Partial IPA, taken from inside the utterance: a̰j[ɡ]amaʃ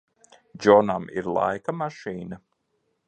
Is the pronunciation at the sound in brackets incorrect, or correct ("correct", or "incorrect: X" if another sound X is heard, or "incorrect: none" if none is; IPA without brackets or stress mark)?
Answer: incorrect: k